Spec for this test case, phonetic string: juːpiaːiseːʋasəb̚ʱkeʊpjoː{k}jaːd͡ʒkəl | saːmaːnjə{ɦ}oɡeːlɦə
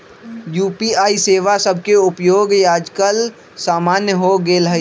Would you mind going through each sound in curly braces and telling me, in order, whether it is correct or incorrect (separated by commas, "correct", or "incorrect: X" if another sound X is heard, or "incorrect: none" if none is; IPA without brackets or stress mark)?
incorrect: ɡ, correct